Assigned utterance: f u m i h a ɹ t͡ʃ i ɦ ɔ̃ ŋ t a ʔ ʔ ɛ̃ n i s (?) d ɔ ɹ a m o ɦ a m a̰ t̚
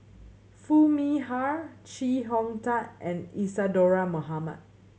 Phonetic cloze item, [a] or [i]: a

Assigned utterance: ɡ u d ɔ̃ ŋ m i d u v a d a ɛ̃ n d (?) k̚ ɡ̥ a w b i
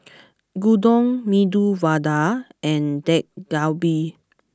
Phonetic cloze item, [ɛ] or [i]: ɛ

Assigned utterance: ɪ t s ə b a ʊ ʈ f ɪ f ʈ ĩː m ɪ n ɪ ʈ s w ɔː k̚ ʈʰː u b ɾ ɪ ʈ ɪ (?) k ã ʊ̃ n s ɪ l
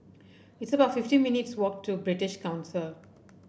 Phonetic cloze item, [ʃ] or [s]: ʃ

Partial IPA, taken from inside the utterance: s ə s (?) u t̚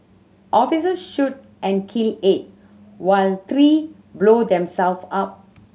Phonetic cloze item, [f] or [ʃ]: ʃ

